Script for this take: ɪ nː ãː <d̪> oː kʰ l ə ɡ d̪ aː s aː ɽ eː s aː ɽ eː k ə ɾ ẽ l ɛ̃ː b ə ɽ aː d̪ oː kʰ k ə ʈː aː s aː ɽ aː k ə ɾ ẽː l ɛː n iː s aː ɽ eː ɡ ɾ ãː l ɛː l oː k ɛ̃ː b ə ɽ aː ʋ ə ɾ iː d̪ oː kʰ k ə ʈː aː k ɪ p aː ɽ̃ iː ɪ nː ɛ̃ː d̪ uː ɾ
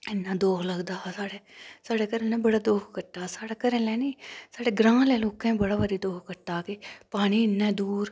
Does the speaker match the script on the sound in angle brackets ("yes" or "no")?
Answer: yes